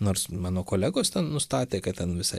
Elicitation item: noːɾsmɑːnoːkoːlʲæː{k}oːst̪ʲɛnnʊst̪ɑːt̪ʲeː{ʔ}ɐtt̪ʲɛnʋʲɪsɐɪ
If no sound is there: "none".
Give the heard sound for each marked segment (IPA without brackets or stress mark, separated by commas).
ɡ, k